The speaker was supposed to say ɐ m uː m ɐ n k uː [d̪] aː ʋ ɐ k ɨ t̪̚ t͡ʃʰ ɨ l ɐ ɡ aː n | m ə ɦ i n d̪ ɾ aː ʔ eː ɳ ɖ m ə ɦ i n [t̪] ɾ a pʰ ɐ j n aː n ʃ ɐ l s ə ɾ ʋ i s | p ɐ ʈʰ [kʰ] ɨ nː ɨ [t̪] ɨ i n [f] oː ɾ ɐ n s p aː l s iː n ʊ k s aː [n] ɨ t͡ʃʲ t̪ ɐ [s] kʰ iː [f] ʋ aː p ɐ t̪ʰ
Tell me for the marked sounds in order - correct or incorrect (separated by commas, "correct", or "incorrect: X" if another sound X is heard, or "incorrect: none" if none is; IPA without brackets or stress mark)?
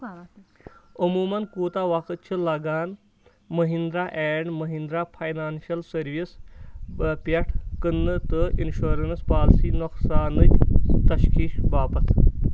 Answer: incorrect: t̪, incorrect: d̪, incorrect: k, correct, incorrect: ʃ, correct, incorrect: ʃ, incorrect: ʃ